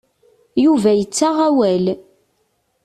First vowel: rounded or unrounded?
rounded